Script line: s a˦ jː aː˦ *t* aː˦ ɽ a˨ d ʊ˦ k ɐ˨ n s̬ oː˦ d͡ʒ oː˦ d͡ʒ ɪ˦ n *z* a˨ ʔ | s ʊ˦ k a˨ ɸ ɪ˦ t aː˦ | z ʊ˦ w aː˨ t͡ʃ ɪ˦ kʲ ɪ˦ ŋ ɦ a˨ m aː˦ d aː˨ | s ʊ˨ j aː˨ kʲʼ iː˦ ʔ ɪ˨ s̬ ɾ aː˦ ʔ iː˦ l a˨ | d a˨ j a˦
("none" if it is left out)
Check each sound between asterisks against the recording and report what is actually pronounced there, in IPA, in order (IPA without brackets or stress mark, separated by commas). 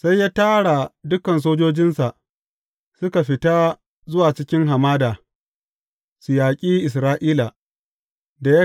t, s